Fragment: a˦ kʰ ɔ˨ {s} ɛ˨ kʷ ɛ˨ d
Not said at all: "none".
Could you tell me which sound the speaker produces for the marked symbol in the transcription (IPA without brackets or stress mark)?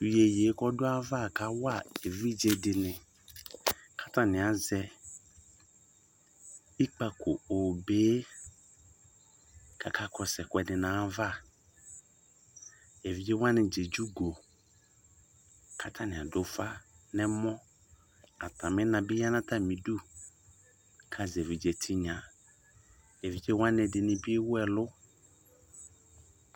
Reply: s